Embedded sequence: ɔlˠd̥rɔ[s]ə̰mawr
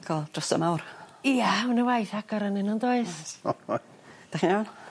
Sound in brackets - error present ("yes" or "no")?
no